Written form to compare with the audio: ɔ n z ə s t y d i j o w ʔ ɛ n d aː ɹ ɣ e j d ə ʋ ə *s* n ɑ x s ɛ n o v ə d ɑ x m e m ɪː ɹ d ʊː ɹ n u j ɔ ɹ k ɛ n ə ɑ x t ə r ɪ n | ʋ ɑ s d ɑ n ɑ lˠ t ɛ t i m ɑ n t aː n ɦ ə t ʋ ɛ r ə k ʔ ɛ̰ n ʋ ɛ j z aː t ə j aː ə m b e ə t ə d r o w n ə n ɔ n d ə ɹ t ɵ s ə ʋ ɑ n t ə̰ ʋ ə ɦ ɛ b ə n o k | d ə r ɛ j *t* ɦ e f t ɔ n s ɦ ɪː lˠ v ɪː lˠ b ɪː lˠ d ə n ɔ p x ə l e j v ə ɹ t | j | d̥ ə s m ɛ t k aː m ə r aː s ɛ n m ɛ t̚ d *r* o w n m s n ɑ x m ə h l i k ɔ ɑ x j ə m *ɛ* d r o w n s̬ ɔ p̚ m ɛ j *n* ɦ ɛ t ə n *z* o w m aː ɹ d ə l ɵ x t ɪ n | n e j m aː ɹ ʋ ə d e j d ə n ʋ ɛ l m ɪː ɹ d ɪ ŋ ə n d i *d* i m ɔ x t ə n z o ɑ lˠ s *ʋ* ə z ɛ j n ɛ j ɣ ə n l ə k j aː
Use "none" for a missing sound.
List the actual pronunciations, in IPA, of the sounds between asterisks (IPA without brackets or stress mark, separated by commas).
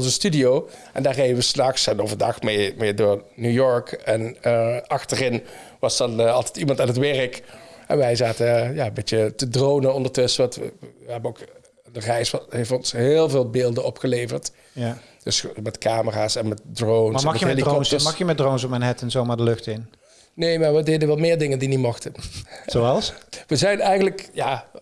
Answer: s, s, r, ɛ, n, z, n, ʋ